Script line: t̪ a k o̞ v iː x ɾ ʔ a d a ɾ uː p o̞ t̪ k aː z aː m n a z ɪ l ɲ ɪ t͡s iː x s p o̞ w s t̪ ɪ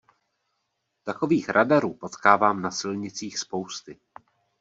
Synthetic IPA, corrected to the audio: t̪ a k o̞ v iː x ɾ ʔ a d a ɾ uː p o̞ t̪ k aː v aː m n a s ɪ l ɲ ɪ t͡s iː x s p o̞ w s t̪ ɪ